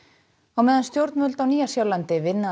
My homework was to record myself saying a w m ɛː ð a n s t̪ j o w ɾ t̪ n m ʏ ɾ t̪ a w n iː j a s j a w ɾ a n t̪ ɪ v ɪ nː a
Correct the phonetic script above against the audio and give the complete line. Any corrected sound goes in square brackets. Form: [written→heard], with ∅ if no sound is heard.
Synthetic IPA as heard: a w m ɛː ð a n s t̪ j o w ɾ t̪ n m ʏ [ɾ→l] t̪ a w n iː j a s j a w [ɾ→l] a n t̪ ɪ v ɪ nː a